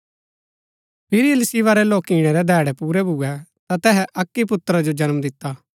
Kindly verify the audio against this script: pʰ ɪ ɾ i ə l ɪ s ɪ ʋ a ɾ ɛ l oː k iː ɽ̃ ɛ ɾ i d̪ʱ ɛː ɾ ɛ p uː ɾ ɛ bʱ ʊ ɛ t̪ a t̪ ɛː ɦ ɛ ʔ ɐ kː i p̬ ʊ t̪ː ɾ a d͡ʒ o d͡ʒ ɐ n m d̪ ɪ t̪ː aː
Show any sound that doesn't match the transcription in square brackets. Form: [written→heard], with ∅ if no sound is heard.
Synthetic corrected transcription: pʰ ɪ ɾ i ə l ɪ s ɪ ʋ a ɾ ɛ l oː k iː ɽ̃ ɛ ɾ [i→ɛ] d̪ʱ ɛː [ɾ→ɽ] ɛ p uː ɾ ɛ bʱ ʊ ɛ t̪ a t̪ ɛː ɦ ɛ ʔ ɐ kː i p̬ ʊ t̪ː ɾ a d͡ʒ o d͡ʒ ɐ n m d̪ ɪ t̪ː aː